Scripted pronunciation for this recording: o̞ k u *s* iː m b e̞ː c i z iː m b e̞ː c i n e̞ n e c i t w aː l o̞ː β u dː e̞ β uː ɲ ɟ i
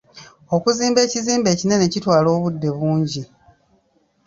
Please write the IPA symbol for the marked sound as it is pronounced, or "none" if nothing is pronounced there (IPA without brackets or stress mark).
z